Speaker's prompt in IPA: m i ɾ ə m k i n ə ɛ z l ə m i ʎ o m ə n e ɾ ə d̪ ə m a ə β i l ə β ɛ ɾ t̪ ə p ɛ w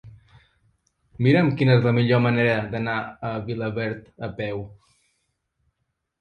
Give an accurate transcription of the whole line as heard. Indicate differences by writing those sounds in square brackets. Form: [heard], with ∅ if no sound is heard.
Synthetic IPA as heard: m i ɾ ə m k i n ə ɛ z l ə m i ʎ o m ə n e ɾ ə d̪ ə [n] a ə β i l ə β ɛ ɾ t̪ ə p ɛ w